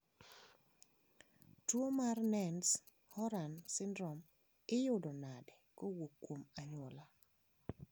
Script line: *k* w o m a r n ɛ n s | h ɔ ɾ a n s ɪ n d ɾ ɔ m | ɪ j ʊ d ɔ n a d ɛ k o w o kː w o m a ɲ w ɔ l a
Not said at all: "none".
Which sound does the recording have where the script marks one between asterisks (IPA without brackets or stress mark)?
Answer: t